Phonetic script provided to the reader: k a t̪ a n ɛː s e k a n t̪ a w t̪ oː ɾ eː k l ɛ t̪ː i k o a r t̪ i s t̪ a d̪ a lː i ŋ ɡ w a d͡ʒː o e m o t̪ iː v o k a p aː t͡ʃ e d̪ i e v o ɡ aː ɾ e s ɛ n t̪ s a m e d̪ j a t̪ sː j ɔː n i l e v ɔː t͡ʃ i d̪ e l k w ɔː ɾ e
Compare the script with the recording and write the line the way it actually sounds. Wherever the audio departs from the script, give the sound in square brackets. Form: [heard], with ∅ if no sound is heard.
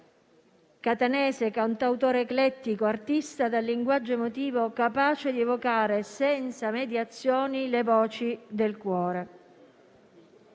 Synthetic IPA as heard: k a t̪ a n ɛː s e k a n t̪ a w t̪ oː ɾ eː k l ɛ t̪ː i k o a r t̪ i s t̪ a d̪ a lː i ŋ ɡ w a d͡ʒː o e m o t̪ iː v o k a p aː t͡ʃ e d̪ i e v o [k] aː ɾ e s ɛ n t̪ s a m e d̪ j a t̪ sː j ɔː n i l e v ɔː t͡ʃ i d̪ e l k w ɔː ɾ e